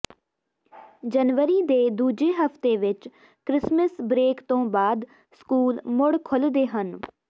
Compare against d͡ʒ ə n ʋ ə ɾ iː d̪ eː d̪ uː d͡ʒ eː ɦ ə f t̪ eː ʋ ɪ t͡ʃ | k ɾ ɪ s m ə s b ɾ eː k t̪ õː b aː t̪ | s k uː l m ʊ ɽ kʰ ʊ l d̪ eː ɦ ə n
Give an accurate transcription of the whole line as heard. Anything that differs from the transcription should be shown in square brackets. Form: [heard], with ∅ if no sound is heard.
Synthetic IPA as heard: d͡ʒ ə n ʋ ə ɾ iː d̪ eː d̪ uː d͡ʒ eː ɦ ə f t̪ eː ʋ ɪ t͡ʃ | k ɾ ɪ s m ə s b ɾ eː k t̪ õː b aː [d̪] | s k uː l m ʊ ɽ kʰ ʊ l d̪ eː ɦ ə n

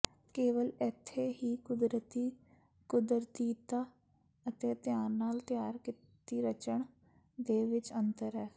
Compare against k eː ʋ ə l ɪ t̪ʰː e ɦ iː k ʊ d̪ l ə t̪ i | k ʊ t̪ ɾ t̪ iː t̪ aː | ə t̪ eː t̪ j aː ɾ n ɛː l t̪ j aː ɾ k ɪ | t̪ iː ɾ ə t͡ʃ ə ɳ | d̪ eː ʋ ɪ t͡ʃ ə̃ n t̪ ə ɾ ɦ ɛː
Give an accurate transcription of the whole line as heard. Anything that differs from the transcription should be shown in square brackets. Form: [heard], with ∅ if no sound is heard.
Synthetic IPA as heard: k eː ʋ ə l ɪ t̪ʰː e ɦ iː k ʊ d̪ [ɾ] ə t̪ i | k ʊ [d̪] ɾ t̪ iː t̪ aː | ə t̪ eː t̪ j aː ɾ n [aː] l t̪ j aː ɾ k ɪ | t̪ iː ɾ ə t͡ʃ ə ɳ | d̪ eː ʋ ɪ t͡ʃ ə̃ n t̪ ə ɾ ɦ ɛː

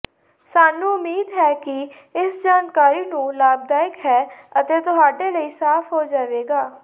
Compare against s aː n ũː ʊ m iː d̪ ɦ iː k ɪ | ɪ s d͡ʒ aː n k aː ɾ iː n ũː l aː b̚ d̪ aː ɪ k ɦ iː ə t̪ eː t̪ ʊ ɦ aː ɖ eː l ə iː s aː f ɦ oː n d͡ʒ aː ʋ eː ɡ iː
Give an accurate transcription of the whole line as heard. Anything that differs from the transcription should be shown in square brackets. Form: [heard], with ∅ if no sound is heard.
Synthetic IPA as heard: s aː n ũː ʊ m iː d̪ ɦ [ɛː] k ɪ | ɪ s d͡ʒ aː n k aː ɾ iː n ũː l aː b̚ d̪ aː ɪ k ɦ [ɛː] ə t̪ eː t̪ ʊ ɦ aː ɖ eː l ə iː s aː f ɦ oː [∅] d͡ʒ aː ʋ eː ɡ [aː]

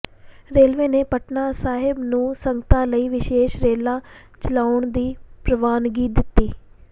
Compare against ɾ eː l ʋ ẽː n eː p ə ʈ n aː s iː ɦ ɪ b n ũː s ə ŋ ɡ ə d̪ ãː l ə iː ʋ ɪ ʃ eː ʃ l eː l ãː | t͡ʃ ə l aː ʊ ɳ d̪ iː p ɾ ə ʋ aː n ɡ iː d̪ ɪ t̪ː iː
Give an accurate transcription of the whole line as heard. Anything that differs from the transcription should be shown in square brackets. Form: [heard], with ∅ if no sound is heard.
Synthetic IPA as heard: ɾ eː l ʋ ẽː n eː p ə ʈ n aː s [aː] ɦ ɪ b n ũː s ə ŋ ɡ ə [t̪] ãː l ə iː ʋ ɪ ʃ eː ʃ [ɾ] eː l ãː | t͡ʃ ə l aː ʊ ɳ d̪ iː p ɾ ə ʋ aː n ɡ iː d̪ ɪ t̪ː iː

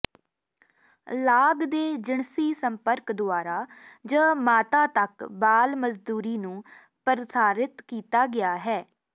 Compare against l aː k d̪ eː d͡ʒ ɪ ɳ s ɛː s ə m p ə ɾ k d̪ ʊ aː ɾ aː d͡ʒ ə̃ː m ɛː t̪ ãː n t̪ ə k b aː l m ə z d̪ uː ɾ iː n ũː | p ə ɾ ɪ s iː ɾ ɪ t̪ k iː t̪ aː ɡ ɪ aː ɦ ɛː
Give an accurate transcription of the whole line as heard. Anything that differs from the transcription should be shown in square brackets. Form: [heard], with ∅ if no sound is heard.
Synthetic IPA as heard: l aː [ɡ] d̪ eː d͡ʒ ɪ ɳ s [iː] s ə m p ə ɾ k d̪ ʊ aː ɾ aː d͡ʒ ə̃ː m [aː] t̪ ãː [∅] t̪ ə k b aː l m ə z d̪ uː ɾ iː n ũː | p ə ɾ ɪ s [aː] ɾ ɪ t̪ k iː t̪ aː ɡ ɪ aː ɦ ɛː

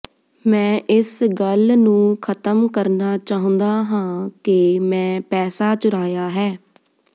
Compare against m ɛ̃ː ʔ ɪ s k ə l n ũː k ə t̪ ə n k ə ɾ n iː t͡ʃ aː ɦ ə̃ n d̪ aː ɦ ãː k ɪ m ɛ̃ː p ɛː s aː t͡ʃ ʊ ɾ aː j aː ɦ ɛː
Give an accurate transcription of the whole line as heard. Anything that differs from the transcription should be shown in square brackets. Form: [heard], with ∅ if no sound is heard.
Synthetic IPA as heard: m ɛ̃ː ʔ ɪ s [ɡ] ə l n ũː [kʰ] ə t̪ ə [m] k ə ɾ n [aː] t͡ʃ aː ɦ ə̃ n d̪ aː ɦ ãː k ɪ m ɛ̃ː p ɛː s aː t͡ʃ ʊ ɾ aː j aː ɦ ɛː

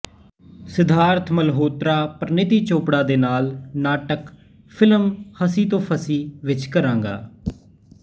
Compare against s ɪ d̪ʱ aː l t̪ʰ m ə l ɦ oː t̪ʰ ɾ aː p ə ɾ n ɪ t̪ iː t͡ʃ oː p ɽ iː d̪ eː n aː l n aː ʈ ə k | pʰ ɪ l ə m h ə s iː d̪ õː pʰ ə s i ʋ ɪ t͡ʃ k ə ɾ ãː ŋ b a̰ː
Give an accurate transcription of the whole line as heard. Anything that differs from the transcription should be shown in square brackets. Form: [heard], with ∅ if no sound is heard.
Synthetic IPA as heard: s ɪ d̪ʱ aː [ɾ] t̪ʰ m ə l ɦ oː [t̪] ɾ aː p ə ɾ n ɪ t̪ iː t͡ʃ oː p ɽ [aː] d̪ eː n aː l n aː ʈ ə k | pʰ ɪ l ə m h ə s iː [t̪] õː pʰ ə s [iː] ʋ ɪ t͡ʃ k ə ɾ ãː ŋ [ɡ] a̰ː

